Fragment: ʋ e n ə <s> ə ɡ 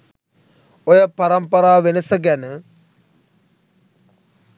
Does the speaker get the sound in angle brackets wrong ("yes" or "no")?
no